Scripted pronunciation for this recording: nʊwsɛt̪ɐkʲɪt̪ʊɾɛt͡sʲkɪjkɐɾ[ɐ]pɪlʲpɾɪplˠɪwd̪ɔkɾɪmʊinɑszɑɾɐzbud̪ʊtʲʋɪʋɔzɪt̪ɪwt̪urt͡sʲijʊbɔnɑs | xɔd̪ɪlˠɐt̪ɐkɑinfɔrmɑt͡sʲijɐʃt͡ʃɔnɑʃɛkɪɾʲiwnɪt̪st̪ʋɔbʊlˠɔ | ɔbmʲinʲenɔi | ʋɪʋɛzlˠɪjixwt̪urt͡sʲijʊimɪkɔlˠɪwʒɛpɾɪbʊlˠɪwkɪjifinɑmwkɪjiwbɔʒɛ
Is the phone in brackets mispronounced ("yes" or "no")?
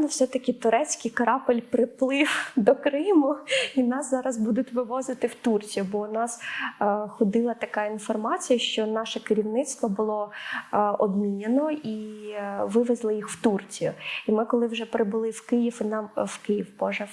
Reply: yes